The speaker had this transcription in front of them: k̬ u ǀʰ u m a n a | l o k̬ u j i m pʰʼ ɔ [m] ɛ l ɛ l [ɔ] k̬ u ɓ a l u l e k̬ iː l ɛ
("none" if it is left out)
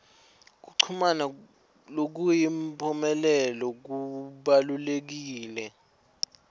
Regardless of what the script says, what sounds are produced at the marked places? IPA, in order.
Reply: m, ɔ

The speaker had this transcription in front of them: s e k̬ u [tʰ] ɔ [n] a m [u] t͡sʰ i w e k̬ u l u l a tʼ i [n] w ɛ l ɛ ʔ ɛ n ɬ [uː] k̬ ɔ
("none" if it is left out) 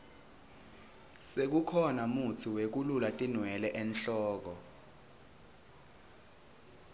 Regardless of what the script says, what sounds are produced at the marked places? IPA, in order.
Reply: kʰ, n, u, n, ɔː

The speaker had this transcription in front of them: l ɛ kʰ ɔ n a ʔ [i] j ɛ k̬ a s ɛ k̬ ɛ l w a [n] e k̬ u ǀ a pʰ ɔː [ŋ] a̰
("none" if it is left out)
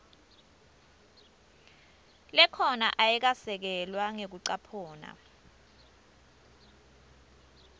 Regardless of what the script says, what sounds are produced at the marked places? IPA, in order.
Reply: a, ŋ, n

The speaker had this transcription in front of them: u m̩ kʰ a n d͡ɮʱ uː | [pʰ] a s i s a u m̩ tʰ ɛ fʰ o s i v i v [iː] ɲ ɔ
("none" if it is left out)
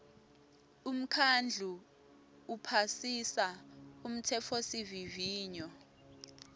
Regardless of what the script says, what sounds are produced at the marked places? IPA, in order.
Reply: pʰ, iː

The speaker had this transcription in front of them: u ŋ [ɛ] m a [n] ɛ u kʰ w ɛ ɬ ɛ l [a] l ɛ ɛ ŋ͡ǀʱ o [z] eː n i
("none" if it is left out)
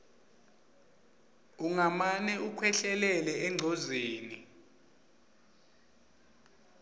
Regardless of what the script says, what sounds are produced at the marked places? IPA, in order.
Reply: a, n, ɛ, z

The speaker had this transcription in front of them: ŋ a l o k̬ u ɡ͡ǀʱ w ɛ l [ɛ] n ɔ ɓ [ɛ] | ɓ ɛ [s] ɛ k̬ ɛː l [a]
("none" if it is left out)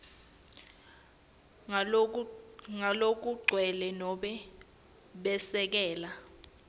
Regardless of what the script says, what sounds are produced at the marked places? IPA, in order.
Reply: ɛ, ɛ, s, a

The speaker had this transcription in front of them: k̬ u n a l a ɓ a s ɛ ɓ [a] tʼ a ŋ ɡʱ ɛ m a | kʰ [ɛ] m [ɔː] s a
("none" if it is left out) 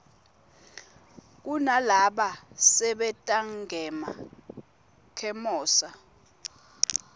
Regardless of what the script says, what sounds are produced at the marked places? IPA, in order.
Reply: ɛ, ɛ, ɔː

